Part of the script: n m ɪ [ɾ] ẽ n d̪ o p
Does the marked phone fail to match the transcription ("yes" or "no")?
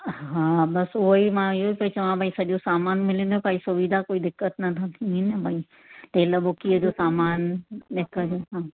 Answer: yes